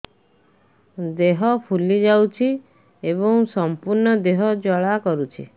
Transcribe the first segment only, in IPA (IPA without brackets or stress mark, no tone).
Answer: d̪